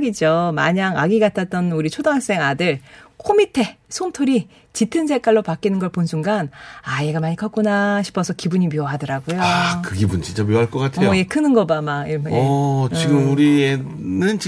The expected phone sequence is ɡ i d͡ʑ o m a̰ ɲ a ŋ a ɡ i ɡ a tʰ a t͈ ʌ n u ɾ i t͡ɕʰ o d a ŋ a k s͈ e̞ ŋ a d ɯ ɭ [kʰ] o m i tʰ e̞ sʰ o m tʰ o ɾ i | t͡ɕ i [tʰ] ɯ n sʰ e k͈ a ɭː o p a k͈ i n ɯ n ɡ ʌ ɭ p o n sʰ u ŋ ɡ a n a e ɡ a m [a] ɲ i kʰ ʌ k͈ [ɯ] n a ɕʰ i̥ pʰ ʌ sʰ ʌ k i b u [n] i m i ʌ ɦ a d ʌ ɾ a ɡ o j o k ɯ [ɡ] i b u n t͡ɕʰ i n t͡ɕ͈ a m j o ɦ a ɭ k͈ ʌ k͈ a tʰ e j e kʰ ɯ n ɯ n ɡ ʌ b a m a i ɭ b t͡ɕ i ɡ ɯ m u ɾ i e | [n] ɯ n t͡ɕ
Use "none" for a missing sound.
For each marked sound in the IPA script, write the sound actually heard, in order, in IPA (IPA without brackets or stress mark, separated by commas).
kʰ, tʰ, a, u, ɲ, ɡ, n